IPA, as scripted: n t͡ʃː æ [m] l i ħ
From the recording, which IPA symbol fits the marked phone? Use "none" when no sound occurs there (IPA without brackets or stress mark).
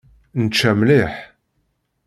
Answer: m